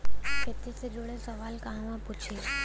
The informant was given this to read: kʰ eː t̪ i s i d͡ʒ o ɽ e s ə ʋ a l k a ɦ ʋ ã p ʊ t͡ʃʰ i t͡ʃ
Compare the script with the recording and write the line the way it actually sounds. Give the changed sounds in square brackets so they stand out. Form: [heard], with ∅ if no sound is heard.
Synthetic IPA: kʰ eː t̪ i s [e] d͡ʒ o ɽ e s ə ʋ a l k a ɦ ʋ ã p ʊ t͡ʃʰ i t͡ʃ